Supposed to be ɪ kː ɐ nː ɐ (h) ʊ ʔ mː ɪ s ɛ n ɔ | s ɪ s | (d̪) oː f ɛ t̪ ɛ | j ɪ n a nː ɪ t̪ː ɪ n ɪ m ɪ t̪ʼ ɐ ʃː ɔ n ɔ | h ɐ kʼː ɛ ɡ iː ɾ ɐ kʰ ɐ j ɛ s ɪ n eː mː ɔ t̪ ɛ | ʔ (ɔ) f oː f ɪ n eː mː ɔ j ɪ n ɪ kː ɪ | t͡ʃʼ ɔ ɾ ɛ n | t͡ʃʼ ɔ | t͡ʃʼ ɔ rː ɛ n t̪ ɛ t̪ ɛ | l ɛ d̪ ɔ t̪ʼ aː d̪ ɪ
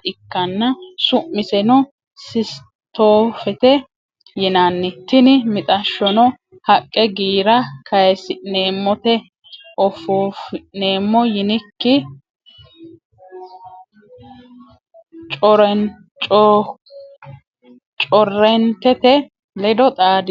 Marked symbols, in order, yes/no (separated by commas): no, no, yes